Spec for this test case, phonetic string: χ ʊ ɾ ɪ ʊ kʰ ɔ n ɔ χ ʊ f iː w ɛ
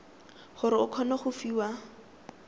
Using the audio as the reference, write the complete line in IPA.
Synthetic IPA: χ ʊ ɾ ɪ ʊ kʰ ɔ n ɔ χ ʊ f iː w a